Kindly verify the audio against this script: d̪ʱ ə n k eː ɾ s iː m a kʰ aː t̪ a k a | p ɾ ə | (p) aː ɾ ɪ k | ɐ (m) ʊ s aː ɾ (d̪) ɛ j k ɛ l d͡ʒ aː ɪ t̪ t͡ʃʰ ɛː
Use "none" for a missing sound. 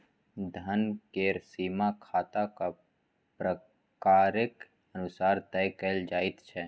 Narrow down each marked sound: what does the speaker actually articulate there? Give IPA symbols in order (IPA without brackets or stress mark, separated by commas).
k, n, t̪